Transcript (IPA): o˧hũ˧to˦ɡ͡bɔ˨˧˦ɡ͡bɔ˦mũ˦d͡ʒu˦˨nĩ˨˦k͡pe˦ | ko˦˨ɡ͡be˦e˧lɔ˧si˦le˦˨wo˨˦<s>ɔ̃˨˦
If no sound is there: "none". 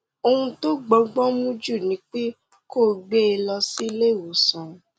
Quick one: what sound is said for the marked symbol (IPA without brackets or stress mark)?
s